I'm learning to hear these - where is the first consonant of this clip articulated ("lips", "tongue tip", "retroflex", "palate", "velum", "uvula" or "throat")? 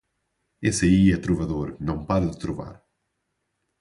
tongue tip